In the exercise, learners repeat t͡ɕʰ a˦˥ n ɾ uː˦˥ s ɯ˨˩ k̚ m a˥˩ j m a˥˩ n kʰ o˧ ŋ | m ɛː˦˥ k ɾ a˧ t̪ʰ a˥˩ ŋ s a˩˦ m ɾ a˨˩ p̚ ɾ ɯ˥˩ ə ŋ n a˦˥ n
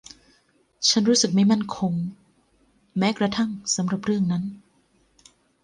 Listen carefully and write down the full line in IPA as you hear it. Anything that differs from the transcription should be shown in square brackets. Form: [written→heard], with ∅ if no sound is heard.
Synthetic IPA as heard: t͡ɕʰ a˦˥ n ɾ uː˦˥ s ɯ˨˩ k̚ m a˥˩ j m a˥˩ n kʰ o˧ ŋ | m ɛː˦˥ k ɾ a˧ t̪ʰ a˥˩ ŋ s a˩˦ m ɾ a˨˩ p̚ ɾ ɯ˥˩ ə ŋ n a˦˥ n